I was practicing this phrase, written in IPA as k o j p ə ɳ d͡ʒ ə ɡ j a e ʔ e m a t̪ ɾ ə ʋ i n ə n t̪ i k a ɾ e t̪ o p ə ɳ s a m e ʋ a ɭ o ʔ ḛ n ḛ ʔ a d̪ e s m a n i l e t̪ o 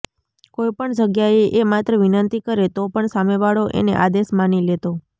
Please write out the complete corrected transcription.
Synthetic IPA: k o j p ə ɳ d͡ʒ ə ɡ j a e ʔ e m a t̪ ɾ ə ʋ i n ə n t̪ i k ə ɾ e t̪ o p ə ɳ s a m e ʋ a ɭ o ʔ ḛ n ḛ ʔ a d̪ e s m a n i l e t̪ o

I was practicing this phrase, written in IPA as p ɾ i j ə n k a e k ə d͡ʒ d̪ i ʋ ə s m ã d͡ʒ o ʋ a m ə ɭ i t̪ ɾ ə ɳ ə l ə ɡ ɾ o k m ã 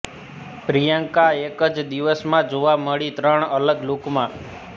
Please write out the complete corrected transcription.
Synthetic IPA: p ɾ i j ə ŋ k a e k ə d͡ʒ d̪ i ʋ ə s m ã d͡ʒ o ʋ a m ə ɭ i t̪ ɾ ə ɳ ə l ə ɡ l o k m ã

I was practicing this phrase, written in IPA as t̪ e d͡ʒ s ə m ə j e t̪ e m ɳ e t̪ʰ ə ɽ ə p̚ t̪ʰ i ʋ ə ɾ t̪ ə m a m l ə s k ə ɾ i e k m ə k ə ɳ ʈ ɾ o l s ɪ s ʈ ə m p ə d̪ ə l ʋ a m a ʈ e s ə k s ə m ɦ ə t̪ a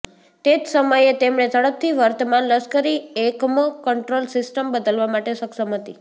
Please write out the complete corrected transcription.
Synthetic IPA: t̪ e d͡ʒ s ə m ə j e t̪ e m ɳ e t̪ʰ ə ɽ ə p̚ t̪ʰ i ʋ ə ɾ t̪ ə m a n l ə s k ə ɾ i e k m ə k ə ɳ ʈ ɾ o l s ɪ s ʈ ə m b ə d̪ ə l ʋ a m a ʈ e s ə k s ə m ɦ ə t̪ i

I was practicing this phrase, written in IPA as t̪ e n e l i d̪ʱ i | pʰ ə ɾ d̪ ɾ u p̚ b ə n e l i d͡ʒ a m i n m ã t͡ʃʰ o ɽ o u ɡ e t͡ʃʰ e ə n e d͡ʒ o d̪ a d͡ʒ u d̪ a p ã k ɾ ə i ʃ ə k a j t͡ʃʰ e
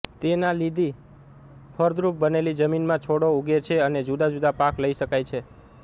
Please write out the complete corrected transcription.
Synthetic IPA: t̪ e n a l i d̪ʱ i | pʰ ə ɾ d̪ ɾ u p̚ b ə n e l i d͡ʒ ə m i n m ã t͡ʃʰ o ɽ o u ɡ e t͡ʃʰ e ə n e d͡ʒ u d̪ a d͡ʒ u d̪ a p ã k l ə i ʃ ə k a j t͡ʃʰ e

